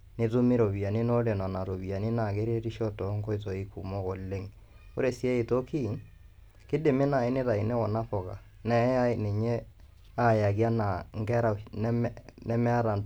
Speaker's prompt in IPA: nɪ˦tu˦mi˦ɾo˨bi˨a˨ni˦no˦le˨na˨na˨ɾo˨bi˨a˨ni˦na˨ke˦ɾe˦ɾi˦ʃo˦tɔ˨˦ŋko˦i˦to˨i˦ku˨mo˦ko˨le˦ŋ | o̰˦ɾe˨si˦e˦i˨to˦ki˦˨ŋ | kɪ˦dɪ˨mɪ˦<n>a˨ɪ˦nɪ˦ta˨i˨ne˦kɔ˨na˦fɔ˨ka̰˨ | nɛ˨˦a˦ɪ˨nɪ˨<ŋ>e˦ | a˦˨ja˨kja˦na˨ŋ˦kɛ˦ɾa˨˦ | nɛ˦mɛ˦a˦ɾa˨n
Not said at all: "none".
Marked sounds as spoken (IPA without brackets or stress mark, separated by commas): n, ɲ